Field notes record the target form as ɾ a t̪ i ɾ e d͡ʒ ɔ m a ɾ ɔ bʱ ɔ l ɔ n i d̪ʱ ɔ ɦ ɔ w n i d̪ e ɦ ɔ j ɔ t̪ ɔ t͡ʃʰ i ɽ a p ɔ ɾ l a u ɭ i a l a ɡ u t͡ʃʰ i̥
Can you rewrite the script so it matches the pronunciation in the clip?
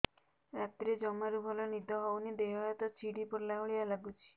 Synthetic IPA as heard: ɾ a t̪ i ɾ e d͡ʒ ɔ m a ɾ u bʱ ɔ l ɔ n i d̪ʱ ɔ ɦ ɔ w n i d̪ e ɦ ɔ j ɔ t̪ ɔ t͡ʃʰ i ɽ i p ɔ ɾ l a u ɭ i a l a ɡ u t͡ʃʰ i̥